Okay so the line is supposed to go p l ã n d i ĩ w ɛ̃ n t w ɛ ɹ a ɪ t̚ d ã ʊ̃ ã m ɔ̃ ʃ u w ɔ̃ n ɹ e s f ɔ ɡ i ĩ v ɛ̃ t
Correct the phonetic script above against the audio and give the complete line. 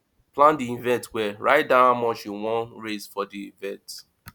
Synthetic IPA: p l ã n d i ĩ v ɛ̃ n t w ɛ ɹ a ɪ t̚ d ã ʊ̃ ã m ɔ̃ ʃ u w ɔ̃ n ɹ e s f ɔ d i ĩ v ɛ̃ t